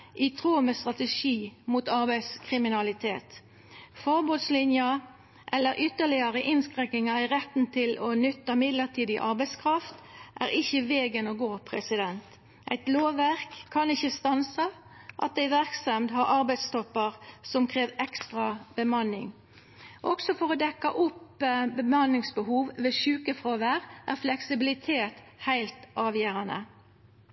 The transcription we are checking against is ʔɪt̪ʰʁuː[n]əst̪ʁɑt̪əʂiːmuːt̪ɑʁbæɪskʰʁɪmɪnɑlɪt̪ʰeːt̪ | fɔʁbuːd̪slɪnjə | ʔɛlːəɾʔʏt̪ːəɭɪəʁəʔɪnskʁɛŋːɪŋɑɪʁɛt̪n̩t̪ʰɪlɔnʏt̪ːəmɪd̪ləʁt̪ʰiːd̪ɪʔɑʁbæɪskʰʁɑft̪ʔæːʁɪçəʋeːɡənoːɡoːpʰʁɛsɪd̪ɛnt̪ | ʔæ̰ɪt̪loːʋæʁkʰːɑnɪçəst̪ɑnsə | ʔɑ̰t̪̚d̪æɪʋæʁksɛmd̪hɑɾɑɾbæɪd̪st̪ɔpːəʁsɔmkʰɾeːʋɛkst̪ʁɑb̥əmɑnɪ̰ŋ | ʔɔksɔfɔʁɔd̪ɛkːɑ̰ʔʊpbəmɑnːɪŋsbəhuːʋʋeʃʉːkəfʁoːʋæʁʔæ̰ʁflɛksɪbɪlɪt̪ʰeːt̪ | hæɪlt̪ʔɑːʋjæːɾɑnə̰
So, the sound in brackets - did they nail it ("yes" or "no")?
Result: no